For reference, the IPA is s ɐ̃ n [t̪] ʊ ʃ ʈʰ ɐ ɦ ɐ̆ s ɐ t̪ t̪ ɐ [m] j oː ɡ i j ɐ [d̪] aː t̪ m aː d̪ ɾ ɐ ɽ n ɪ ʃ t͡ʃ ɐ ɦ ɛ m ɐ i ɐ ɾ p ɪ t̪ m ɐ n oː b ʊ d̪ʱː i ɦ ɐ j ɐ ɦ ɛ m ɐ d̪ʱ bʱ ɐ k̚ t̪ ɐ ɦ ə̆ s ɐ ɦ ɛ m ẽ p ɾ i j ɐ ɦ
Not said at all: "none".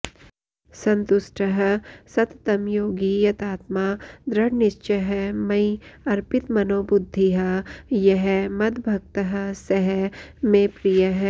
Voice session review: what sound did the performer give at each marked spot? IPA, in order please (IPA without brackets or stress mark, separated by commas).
t̪, m, t̪